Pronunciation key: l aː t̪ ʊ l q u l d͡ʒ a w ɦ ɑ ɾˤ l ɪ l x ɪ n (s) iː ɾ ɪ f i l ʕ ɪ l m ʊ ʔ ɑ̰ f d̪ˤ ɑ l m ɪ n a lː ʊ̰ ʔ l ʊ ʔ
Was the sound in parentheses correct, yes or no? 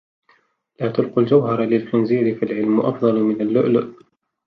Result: no